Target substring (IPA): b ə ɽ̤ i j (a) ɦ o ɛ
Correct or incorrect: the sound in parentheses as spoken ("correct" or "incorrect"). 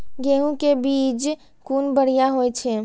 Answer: correct